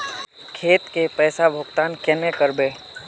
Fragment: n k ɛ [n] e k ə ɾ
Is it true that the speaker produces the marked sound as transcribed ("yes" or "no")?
yes